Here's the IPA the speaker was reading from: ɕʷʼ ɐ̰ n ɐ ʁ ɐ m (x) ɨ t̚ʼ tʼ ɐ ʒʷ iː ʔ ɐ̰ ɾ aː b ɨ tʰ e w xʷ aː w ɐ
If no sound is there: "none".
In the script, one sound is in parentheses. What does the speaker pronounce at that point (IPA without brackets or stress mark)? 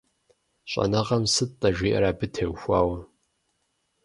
s